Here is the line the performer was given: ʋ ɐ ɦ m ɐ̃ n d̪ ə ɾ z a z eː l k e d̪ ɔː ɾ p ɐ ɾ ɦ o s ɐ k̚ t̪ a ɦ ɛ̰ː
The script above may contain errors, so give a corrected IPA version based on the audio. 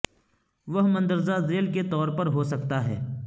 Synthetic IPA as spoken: ʋ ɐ ɦ m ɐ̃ n d̪ ə ɾ z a z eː l k e t̪ ɔː ɾ p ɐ ɾ ɦ o s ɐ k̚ t̪ a ɦ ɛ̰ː

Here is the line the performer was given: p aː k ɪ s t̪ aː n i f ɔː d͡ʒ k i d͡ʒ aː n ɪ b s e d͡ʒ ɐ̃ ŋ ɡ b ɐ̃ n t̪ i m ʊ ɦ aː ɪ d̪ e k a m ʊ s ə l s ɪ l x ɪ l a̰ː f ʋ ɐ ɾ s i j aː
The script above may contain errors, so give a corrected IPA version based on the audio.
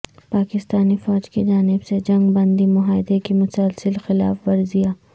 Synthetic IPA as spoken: p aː k ɪ s t̪ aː n i f ɔː d͡ʒ k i d͡ʒ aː n ɪ b s e d͡ʒ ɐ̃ ŋ ɡ b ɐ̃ n d̪ i m ʊ ɦ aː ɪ d̪ e k i m ʊ s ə l s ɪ l x ɪ l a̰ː f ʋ ɐ ɾ z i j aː

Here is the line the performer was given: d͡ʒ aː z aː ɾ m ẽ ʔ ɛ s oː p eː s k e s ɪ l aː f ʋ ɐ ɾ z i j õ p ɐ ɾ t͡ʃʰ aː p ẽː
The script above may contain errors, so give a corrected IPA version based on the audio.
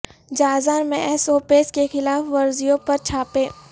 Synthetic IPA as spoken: d͡ʒ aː z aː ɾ m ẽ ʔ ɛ s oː p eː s k e x ɪ l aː f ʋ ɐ ɾ z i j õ p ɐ ɾ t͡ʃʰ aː p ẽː

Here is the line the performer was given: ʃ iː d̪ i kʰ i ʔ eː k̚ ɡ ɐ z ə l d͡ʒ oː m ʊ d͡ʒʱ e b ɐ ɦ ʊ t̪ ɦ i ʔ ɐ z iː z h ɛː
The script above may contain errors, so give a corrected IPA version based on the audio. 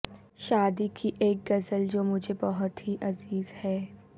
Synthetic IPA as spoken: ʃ aː d̪ i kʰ i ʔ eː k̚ ɡ ɐ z ə l d͡ʒ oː m ʊ d͡ʒʱ e b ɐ ɦ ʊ t̪ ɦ i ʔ ɐ z iː z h ɛː

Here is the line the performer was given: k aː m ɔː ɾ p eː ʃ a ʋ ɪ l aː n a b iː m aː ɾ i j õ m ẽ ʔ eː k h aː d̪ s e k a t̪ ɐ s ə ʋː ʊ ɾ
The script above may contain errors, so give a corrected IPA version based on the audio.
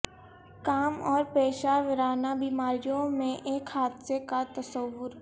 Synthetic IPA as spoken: k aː m ɔː ɾ p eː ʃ a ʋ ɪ ɾ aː n a b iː m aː ɾ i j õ m ẽ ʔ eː k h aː d̪ s e k a t̪ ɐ s ə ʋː ʊ ɾ

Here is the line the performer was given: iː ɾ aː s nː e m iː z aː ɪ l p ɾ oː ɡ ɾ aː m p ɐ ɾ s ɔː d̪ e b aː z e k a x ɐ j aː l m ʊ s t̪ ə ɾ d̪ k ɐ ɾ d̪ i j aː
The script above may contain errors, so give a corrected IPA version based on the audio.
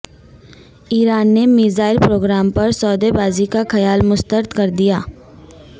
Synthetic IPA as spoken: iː ɾ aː nː e m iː z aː ɪ l p ɾ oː ɡ ɾ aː m p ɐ ɾ s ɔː d̪ e b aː z i k a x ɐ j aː l m ʊ s t̪ ə ɾ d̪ k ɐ ɾ d̪ i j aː

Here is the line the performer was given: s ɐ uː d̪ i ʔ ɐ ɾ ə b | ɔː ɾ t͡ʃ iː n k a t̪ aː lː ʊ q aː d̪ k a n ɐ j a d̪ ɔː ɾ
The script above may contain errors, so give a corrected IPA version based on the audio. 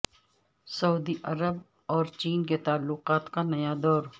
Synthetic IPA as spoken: s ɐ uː d̪ i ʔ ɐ ɾ ə b | ɔː ɾ t͡ʃ iː n k e t̪ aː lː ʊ q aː t̪ k a n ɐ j a d̪ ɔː ɾ

